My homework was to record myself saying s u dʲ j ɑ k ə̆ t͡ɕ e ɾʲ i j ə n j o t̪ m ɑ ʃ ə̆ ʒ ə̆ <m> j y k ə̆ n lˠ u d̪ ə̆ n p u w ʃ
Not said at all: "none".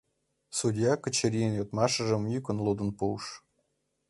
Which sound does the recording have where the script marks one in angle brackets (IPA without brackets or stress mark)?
m